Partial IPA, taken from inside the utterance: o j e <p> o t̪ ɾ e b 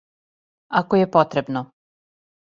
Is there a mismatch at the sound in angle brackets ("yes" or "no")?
no